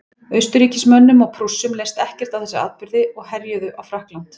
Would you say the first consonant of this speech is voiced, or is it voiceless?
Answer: voiced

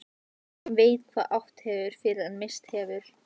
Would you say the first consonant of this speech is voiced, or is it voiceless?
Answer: voiced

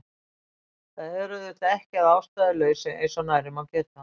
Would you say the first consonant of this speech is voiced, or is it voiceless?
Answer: voiceless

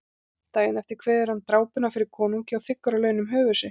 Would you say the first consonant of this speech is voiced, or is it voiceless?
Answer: voiceless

